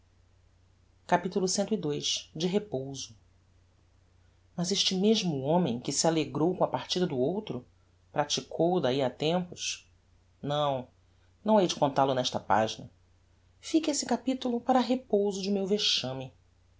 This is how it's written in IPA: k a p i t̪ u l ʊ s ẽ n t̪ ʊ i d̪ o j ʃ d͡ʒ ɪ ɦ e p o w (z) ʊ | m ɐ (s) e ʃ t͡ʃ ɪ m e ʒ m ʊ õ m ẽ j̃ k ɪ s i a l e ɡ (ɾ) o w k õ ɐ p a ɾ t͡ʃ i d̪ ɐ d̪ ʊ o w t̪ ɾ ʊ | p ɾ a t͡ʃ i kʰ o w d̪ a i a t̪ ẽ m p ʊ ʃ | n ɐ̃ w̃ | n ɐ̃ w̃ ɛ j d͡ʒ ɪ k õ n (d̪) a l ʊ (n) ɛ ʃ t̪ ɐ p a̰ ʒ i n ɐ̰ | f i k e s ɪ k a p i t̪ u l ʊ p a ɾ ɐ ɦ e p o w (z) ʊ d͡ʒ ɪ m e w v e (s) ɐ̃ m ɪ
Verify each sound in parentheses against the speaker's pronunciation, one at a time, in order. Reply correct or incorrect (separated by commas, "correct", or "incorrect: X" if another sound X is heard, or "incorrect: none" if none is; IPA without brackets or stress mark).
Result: correct, incorrect: z, correct, incorrect: t̪, correct, correct, incorrect: ʃ